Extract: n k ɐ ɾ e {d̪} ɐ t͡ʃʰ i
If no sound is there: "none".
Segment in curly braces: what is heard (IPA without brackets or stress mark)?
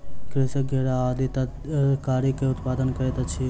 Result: t̪